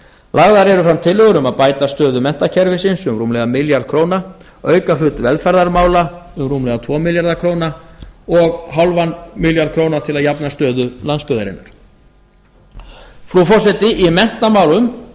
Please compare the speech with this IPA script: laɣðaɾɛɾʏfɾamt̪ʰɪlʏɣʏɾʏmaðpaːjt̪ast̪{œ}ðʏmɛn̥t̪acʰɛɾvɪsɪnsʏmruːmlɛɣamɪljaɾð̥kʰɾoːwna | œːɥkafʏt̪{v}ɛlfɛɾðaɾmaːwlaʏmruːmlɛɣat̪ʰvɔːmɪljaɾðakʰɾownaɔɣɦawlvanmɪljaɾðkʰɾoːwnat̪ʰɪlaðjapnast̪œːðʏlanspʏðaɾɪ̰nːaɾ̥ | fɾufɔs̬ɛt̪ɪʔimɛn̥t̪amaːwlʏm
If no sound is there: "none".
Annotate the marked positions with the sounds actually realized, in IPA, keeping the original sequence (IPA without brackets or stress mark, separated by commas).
œː, v